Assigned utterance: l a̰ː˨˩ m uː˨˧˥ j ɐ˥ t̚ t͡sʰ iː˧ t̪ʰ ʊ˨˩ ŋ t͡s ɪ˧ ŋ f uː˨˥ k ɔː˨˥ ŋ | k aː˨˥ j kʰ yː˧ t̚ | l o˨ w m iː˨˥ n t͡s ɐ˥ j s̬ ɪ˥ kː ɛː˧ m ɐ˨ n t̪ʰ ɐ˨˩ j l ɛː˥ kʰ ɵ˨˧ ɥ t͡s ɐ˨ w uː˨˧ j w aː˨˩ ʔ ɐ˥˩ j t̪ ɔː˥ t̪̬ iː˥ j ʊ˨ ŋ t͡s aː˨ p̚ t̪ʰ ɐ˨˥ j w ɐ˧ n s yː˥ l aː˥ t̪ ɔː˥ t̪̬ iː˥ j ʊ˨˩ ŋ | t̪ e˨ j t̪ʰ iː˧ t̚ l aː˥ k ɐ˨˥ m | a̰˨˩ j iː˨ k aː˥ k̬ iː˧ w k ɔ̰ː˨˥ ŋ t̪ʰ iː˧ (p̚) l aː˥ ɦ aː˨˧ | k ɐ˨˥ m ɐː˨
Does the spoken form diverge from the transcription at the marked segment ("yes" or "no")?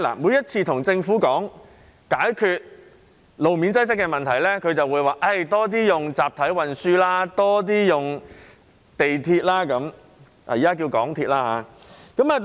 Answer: yes